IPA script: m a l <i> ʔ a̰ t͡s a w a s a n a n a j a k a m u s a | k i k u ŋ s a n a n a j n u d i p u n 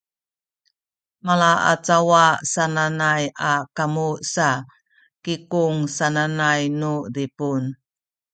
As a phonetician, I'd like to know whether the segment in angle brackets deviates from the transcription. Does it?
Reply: yes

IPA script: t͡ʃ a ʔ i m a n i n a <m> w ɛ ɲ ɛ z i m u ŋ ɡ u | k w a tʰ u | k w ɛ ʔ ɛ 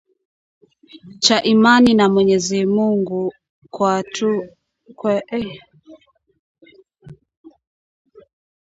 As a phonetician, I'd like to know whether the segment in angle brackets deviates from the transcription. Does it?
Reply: no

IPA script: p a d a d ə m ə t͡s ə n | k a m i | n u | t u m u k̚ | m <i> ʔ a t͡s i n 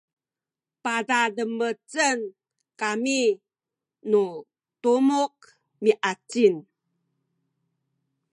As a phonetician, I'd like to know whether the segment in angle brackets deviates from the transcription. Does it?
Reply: no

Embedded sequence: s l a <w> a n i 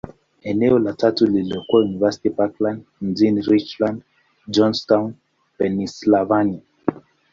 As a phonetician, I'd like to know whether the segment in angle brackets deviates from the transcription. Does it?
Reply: yes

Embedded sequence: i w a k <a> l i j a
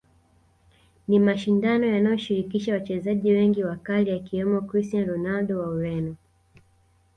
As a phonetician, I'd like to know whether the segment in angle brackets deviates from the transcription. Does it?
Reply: no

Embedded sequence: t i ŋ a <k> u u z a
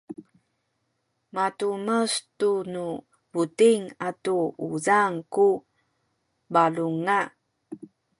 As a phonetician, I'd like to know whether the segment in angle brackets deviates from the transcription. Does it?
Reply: yes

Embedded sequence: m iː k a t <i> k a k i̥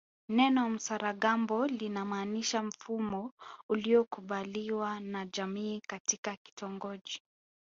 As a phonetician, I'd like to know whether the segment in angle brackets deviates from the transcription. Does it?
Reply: no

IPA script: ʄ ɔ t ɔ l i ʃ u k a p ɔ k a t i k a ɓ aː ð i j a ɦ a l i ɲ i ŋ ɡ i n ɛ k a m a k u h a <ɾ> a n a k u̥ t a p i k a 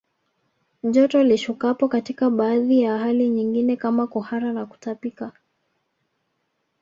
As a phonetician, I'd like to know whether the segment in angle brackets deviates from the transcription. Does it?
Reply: no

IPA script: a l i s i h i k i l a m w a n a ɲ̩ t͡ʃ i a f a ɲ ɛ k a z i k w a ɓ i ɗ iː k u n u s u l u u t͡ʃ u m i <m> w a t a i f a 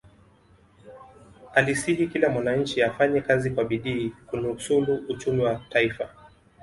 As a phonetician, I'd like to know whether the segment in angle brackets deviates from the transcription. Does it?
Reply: yes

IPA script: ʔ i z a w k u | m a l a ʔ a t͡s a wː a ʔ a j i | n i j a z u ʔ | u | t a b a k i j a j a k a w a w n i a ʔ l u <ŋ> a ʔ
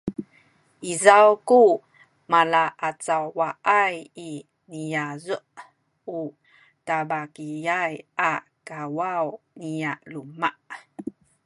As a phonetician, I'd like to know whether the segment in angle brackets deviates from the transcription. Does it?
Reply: yes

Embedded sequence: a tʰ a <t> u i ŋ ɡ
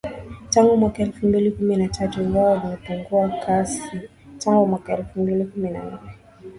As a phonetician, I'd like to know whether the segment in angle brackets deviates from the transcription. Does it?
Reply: no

